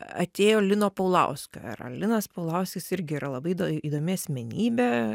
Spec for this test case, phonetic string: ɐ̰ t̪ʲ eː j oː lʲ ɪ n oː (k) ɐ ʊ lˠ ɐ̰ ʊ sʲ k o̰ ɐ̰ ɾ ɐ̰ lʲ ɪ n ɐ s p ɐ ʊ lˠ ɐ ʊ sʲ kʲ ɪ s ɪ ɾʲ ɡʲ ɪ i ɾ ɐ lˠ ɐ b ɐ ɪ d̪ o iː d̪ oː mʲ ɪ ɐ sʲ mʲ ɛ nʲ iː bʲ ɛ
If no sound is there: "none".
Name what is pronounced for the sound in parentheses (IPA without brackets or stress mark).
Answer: p